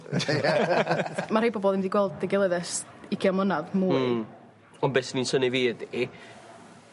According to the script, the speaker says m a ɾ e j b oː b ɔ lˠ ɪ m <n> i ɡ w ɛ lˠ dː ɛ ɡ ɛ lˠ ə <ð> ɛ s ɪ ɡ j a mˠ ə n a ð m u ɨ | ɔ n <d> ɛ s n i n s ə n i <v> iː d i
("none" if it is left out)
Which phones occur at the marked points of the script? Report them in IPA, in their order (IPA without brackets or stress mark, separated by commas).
d, ð, b, v